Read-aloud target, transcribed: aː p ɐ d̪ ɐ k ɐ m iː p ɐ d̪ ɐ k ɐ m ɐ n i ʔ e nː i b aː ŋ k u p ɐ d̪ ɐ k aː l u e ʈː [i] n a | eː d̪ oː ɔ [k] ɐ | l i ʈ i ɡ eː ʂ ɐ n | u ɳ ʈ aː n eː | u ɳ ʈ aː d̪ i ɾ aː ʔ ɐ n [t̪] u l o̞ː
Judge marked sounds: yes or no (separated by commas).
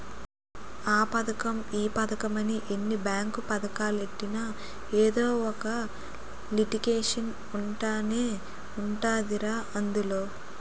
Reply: yes, yes, no